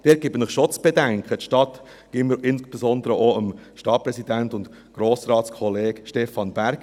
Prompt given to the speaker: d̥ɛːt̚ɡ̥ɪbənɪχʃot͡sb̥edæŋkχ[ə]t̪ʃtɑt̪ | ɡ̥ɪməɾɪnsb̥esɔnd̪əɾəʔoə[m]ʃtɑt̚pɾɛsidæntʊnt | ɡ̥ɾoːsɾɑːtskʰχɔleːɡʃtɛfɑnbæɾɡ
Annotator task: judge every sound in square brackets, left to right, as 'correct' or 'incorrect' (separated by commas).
correct, correct